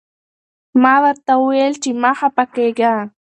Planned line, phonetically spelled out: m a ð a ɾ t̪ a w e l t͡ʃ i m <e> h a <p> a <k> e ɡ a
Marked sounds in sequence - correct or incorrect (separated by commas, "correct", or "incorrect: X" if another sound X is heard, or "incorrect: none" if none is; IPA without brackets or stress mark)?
incorrect: a, correct, correct